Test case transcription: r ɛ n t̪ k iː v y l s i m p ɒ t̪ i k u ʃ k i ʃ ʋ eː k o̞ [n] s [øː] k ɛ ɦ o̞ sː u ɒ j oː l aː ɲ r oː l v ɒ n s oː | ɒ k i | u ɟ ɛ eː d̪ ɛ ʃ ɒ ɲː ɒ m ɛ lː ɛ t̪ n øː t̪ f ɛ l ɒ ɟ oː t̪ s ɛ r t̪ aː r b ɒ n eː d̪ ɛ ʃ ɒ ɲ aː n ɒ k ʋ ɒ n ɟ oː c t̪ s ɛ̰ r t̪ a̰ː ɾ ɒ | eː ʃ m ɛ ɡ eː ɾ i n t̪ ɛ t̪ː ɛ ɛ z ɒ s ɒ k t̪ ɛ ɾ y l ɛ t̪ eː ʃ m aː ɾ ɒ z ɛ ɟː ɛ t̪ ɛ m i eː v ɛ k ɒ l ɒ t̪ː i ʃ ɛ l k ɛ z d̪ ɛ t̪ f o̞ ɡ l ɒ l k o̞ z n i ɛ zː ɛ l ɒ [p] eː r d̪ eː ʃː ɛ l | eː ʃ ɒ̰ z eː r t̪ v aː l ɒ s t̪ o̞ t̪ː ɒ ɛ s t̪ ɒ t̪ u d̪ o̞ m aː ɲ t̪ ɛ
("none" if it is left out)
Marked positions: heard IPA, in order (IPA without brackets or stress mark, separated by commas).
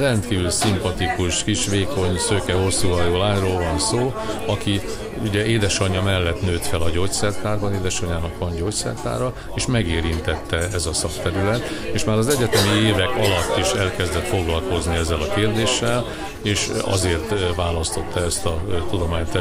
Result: ɲ, øː, k